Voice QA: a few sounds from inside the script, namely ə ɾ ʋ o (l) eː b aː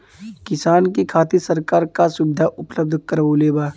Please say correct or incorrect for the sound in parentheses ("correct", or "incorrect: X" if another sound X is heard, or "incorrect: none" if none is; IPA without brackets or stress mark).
correct